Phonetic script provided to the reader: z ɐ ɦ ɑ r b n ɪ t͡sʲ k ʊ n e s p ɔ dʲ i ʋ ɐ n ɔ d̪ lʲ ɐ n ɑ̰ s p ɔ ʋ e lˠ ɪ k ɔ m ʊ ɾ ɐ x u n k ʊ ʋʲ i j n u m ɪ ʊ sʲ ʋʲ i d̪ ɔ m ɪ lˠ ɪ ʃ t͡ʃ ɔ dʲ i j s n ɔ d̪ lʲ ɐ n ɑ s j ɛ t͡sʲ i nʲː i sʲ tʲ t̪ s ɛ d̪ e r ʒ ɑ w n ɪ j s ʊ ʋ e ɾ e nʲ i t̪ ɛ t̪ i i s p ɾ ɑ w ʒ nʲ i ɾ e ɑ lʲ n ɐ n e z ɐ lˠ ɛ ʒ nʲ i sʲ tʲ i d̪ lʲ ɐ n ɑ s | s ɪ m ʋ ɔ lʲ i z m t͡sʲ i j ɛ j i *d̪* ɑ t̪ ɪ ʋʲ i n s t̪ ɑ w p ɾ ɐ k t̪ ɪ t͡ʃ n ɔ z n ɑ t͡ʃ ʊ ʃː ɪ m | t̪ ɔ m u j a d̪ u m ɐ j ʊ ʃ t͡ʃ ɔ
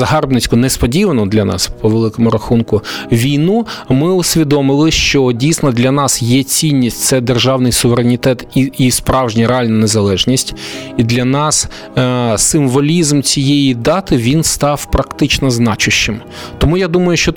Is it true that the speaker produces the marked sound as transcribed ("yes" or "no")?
yes